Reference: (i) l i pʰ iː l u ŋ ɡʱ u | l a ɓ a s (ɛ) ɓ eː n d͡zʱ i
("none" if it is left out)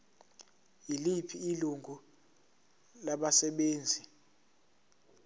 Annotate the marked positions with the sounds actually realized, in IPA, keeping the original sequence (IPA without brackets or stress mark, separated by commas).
i, ɛ